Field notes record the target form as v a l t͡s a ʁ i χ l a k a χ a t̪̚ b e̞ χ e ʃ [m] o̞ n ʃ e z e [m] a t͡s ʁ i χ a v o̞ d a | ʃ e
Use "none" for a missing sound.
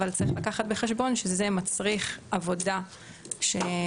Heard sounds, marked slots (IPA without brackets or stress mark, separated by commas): b, m